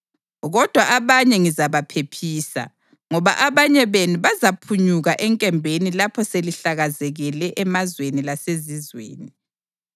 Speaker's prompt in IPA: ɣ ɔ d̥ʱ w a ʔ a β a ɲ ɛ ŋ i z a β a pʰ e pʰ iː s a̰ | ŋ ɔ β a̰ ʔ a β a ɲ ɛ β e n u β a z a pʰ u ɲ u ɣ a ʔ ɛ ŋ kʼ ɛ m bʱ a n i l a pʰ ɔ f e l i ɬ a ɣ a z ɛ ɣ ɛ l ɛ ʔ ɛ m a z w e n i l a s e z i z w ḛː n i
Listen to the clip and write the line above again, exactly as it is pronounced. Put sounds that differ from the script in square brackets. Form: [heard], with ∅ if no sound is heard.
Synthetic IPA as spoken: ɣ ɔ d̥ʱ w a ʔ a β a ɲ ɛ ŋ i z a β a pʰ e pʰ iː s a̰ | ŋ ɔ β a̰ ʔ a β a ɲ ɛ β e n u β a z a pʰ u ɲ u ɣ a ʔ ɛ ŋ kʼ ɛ m bʱ [e] n i l a pʰ ɔ [s] e l i ɬ a ɣ a z ɛ ɣ ɛ l ɛ ʔ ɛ m a z w e n i l a s e z i z w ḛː n i